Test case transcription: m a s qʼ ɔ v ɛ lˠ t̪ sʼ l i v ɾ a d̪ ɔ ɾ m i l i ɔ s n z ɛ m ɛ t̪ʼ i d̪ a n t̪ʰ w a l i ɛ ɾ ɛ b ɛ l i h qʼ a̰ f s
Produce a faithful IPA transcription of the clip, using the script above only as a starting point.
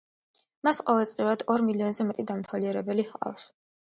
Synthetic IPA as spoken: m a s qʼ ɔ v ɛ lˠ t̪ sʼ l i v ɾ a d̪ ɔ ɾ m i l i ɔ n z ɛ m ɛ t̪ʼ i d̪ a m t̪ʰ w a l i ɛ ɾ ɛ b ɛ l i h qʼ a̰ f s